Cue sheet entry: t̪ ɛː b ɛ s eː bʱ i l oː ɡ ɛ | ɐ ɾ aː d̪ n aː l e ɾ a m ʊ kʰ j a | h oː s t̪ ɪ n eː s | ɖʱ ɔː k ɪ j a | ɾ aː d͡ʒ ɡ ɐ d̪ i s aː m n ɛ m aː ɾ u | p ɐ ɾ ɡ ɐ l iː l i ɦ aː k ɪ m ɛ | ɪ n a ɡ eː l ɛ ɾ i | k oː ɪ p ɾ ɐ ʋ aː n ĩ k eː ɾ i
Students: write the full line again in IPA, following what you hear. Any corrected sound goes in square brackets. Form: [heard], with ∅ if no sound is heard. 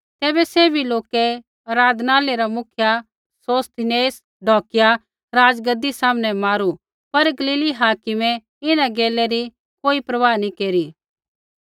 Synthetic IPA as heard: t̪ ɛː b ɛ s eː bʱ i l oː [k] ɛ | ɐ ɾ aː d̪ n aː l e ɾ a m ʊ kʰ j a | [s] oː s t̪ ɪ n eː s | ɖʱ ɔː k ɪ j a | ɾ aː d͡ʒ ɡ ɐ d̪ i s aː m n ɛ m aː ɾ u | p ɐ ɾ ɡ ɐ l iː l i ɦ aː k ɪ m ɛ | ɪ n a ɡ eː l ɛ ɾ i | k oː [i] p ɾ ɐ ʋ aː n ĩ k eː ɾ i